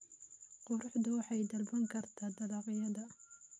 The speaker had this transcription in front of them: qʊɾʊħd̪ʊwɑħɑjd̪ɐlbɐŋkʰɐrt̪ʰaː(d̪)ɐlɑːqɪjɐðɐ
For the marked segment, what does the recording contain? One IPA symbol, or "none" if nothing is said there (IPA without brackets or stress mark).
d̪